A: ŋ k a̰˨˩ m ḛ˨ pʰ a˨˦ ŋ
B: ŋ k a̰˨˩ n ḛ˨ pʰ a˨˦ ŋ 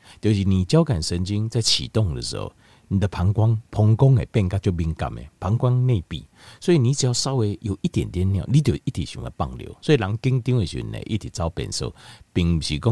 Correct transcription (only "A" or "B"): A